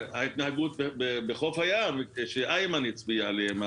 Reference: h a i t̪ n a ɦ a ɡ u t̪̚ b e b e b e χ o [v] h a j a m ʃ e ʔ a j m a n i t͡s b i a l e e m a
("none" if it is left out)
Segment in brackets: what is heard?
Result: f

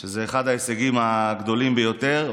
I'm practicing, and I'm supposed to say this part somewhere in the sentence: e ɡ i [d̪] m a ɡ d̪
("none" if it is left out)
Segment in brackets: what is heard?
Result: none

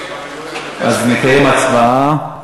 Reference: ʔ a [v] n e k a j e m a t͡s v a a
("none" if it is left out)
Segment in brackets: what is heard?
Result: z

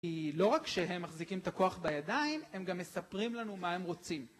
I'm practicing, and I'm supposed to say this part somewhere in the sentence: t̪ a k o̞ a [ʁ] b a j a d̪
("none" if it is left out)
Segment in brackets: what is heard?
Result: χ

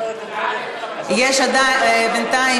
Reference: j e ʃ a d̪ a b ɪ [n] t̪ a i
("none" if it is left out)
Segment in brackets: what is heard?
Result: n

